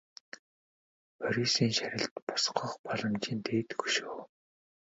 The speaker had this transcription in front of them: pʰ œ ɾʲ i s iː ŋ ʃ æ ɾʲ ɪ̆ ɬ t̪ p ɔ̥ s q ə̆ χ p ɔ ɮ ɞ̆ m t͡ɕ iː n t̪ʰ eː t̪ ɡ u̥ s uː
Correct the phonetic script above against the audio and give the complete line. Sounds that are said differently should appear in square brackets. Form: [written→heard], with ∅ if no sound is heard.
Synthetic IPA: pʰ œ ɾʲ i s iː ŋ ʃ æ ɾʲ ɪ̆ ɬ t̪ p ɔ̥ s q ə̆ χ p ɔ ɮ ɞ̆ m t͡ɕ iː n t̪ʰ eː t̪ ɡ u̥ [s→ʃ] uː

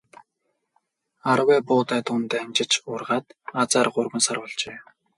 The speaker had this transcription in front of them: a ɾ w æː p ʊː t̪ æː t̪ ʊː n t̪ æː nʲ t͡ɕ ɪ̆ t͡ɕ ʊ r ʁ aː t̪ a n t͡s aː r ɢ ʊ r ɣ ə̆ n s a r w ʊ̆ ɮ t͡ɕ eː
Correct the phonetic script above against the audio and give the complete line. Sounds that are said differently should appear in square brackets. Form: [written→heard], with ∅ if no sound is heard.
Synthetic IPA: a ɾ w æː p ʊː t̪ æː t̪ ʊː n t̪ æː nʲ t͡ɕ ɪ̆ t͡ɕ ʊ r ʁ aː t̪ a [n→∅] t͡s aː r ɢ ʊ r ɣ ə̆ n s a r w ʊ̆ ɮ t͡ɕ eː

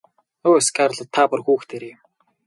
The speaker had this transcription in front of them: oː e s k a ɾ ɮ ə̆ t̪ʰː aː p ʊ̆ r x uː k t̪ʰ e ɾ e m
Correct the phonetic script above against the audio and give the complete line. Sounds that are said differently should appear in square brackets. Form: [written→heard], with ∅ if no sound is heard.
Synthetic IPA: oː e s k a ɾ ɮ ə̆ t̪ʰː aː p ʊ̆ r x uː [k→x] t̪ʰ e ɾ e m

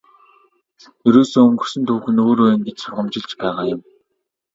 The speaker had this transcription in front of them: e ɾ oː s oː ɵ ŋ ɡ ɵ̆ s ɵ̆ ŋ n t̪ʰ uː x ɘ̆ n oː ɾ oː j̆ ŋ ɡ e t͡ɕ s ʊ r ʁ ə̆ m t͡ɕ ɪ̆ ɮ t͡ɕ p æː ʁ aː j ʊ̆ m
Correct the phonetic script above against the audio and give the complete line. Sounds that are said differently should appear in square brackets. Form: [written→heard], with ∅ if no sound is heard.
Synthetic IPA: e ɾ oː s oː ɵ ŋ ɡ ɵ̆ s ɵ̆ [ŋ→∅] n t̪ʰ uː x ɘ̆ n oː ɾ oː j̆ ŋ ɡ e t͡ɕ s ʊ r ʁ ə̆ m t͡ɕ ɪ̆ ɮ t͡ɕ p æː ʁ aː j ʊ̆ m

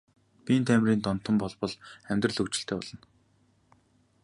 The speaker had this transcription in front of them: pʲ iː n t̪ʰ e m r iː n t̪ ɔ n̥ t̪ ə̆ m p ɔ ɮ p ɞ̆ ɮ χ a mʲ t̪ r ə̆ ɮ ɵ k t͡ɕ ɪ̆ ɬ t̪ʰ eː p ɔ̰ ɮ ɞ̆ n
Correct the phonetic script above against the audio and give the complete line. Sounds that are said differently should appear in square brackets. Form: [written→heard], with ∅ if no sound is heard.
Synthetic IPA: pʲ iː n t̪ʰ [e→æ] m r iː n t̪ ɔ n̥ t̪ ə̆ m p ɔ ɮ p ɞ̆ ɮ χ [a→æ] mʲ t̪ r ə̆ ɮ ɵ k t͡ɕ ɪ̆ ɬ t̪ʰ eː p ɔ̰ ɮ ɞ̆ n

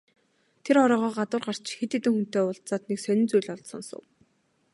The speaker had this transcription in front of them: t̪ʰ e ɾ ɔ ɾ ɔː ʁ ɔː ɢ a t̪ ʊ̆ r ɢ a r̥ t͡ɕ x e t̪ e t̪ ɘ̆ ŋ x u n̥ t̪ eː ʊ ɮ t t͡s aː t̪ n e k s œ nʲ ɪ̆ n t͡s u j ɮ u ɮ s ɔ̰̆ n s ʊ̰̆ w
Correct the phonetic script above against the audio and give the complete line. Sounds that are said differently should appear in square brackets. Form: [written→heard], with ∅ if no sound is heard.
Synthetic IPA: t̪ʰ e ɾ ɔ ɾ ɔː ʁ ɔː ɢ a t̪ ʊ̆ r ɢ a r̥ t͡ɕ x e t̪ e t̪ ɘ̆ ŋ x u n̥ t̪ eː ʊ ɮ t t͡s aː t̪ n e k s œ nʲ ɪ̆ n t͡s u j ɮ [u→ɔ] ɮ s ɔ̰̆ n s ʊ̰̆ w

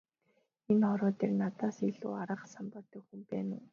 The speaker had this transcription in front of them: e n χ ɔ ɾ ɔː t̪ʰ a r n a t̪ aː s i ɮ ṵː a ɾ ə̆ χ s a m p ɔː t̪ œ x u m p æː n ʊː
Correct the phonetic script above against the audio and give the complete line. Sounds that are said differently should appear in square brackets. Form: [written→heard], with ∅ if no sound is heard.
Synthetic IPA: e n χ ɔ ɾ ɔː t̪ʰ [a→e] r n a t̪ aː s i ɮ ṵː a ɾ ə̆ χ s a m p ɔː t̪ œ x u m p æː n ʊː

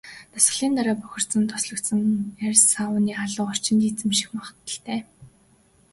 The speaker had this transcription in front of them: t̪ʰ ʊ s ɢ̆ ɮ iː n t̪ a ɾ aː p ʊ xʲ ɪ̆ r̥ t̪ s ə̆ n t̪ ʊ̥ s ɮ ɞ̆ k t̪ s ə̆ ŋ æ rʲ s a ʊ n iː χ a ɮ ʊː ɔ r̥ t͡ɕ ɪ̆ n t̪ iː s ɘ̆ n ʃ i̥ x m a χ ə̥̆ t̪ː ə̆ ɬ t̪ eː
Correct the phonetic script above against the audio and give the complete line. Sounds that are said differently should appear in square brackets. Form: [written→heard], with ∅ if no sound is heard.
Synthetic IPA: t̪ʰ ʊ s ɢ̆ ɮ iː n t̪ a ɾ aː p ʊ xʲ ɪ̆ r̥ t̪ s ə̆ n [t̪→t̪ʰ] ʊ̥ s ɮ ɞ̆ k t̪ s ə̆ ŋ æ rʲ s a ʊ n iː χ a ɮ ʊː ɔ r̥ t͡ɕ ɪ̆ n t̪ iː [s→t͡s] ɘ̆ [n→m] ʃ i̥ x m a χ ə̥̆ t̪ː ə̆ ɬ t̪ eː

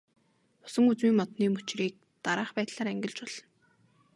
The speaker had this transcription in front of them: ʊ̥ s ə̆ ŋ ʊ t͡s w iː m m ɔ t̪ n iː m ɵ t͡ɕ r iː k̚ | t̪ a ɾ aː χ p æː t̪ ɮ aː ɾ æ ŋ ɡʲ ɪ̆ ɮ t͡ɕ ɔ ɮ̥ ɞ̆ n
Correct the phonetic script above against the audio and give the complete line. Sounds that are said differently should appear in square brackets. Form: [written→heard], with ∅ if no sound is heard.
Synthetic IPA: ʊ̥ s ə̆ ŋ [ʊ→u] t͡s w iː [m→ŋ] m ɔ t̪ n iː m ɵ t͡ɕ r iː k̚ | t̪ a ɾ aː χ p æː t̪ ɮ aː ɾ æ ŋ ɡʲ ɪ̆ ɮ t͡ɕ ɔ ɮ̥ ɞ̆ n

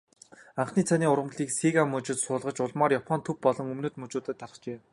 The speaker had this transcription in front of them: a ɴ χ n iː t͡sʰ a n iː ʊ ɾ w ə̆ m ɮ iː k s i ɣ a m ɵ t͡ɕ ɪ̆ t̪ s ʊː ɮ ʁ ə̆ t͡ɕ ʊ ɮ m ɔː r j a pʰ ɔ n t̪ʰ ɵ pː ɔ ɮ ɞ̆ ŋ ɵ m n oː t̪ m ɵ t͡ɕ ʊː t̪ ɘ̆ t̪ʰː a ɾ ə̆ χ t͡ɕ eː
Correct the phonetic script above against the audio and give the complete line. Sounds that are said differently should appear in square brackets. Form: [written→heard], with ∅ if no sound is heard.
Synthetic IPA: a ɴ χ n iː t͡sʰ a n iː ʊ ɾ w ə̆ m ɮ iː k s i ɣ a m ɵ t͡ɕ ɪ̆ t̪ s ʊː ɮ ʁ ə̆ t͡ɕ ʊ ɮ m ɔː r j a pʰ ɔ n t̪ʰ ɵ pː ɔ ɮ ɞ̆ ŋ ɵ m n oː t̪ m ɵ t͡ɕ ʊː t̪ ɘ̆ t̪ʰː a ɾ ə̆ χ t͡ɕ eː

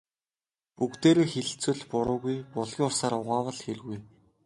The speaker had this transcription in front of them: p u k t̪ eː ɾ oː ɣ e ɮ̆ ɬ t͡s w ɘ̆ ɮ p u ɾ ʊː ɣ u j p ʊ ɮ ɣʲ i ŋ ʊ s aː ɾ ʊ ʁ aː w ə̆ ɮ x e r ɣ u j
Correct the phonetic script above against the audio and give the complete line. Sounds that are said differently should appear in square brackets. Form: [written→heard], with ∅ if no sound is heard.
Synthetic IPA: p u k t̪ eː ɾ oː [ɣ→x] e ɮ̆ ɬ t͡s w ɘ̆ ɮ p [u→ʊ] ɾ ʊː ɣ u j p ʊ ɮ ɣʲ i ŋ ʊ s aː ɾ ʊ ʁ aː w ə̆ ɮ x e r ɣ u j

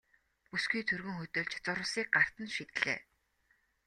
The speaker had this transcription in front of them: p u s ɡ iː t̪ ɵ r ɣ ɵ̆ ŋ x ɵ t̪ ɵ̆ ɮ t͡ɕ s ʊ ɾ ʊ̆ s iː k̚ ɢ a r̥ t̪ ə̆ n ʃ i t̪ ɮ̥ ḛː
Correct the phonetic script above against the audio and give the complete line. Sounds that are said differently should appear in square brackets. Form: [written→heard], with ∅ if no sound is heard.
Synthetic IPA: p u s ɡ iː [t̪→t̪ʰ] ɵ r ɣ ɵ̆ ŋ x ɵ t̪ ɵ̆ ɮ t͡ɕ [s→t͡s] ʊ ɾ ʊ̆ s iː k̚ ɢ a r̥ t̪ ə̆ n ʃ i t̪ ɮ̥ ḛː

